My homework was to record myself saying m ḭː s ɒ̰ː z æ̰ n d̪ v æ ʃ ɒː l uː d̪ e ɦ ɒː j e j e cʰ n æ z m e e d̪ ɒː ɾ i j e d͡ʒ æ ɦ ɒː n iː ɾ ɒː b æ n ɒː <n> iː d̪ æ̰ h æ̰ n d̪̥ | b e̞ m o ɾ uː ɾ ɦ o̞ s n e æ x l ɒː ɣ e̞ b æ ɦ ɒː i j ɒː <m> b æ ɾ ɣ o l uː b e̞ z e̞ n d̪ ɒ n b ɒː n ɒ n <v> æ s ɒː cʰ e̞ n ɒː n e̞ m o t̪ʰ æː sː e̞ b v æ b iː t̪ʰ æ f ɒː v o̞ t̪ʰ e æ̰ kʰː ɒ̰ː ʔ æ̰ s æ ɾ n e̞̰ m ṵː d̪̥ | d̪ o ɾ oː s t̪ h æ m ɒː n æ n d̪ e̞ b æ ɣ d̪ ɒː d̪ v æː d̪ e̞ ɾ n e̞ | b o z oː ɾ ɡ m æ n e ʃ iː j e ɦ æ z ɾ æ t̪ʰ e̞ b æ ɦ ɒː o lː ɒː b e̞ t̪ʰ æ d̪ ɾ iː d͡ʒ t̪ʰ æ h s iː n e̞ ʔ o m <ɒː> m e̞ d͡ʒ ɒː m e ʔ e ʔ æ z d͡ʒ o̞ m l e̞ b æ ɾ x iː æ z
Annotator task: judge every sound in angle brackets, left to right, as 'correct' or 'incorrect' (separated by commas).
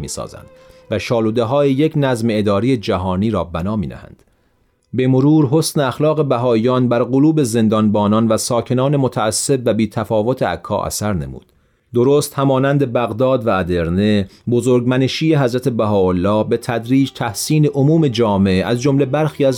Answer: incorrect, incorrect, correct, incorrect